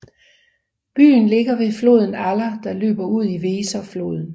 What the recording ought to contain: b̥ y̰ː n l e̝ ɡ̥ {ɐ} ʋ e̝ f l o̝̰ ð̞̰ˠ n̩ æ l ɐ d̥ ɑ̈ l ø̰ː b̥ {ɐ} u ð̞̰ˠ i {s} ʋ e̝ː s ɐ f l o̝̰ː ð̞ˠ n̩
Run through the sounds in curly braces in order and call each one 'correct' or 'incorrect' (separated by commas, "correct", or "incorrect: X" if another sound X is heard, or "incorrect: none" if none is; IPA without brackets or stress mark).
correct, correct, incorrect: none